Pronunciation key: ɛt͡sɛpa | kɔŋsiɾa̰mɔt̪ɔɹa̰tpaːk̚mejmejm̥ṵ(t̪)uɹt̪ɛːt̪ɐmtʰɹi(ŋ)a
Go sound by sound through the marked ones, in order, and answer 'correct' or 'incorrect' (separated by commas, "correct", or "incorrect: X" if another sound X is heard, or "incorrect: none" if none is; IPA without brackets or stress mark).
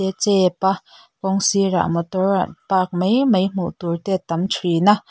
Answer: correct, incorrect: n